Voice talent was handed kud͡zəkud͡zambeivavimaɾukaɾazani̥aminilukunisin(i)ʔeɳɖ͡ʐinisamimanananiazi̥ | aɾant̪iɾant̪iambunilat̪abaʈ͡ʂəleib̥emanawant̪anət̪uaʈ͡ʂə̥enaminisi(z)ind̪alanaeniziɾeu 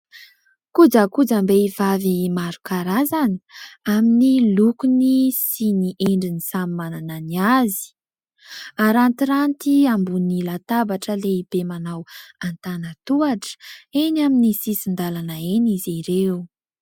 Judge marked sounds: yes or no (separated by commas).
yes, no